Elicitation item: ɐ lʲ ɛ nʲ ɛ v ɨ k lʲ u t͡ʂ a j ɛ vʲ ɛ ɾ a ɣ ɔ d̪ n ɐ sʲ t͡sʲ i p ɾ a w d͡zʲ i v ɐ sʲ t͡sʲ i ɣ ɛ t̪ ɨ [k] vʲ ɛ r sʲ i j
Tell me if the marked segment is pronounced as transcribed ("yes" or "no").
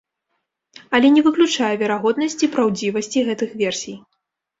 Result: no